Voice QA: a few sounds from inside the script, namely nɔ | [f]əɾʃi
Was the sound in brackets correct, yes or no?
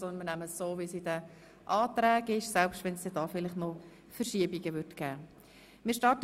yes